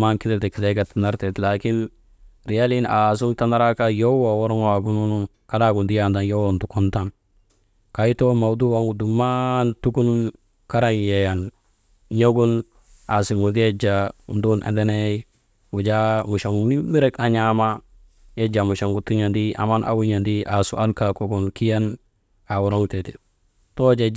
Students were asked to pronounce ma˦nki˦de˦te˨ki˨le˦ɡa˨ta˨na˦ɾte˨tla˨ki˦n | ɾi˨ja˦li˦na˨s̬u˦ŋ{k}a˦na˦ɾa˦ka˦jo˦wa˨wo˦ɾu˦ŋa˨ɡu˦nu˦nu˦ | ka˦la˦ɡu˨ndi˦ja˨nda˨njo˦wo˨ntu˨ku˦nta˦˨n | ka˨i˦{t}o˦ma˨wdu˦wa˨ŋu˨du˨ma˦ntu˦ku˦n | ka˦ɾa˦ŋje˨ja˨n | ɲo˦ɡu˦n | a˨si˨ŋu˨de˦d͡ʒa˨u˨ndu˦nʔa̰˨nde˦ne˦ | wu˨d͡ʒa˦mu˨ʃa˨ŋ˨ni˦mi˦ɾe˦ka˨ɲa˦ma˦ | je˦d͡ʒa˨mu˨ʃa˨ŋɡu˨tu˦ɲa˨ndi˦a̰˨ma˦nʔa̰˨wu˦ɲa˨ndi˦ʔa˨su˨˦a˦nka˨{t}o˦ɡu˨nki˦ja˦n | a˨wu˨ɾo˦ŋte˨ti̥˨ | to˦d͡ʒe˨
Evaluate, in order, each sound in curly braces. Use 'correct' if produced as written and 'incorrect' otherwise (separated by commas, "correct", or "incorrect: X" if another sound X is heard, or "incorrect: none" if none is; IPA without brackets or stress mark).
incorrect: t, correct, incorrect: k